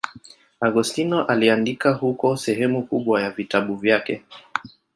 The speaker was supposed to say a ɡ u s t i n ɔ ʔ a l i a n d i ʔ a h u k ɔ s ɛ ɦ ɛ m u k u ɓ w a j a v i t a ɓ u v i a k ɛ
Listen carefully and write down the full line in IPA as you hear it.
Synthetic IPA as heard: a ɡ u s t i n ɔ ʔ a l i a n d i k a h u k ɔ s ɛ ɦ ɛ m u k u ɓ w a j a v i t a ɓ u v j a k ɛ